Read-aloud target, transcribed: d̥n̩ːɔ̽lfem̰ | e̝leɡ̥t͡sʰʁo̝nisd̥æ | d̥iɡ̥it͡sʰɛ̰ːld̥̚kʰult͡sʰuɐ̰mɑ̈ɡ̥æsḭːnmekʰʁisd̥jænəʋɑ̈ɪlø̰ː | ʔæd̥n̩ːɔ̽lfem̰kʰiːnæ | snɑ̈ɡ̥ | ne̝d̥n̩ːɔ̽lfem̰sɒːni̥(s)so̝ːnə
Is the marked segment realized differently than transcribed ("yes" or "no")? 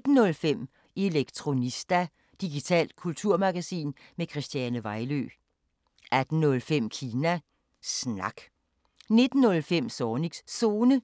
no